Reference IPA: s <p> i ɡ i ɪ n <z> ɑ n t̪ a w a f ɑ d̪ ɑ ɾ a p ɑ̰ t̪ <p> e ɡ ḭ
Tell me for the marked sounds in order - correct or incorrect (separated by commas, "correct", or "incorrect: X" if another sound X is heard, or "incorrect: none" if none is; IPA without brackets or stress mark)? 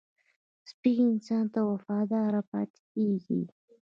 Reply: correct, incorrect: s, incorrect: k